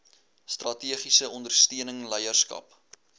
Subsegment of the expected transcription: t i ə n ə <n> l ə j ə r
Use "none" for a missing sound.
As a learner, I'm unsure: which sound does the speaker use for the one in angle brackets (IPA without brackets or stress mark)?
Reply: ŋ